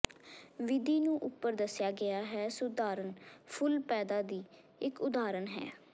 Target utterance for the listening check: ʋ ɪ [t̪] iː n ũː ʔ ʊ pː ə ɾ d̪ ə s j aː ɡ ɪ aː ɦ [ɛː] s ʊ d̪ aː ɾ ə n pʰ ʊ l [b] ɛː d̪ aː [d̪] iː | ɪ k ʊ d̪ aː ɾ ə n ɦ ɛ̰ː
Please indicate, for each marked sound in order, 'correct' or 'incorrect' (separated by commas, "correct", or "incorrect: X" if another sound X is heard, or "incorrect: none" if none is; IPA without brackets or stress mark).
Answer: incorrect: d̪, correct, incorrect: p, correct